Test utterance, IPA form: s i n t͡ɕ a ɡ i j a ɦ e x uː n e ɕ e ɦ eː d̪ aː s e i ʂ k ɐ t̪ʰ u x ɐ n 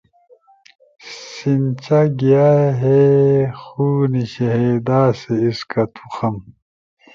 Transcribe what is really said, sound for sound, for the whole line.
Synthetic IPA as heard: s i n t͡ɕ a ɡ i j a ɦ e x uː n i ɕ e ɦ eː d̪ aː s e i s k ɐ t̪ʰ u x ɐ m